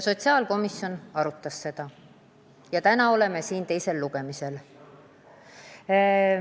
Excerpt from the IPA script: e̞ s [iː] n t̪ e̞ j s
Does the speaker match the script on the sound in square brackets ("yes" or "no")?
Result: yes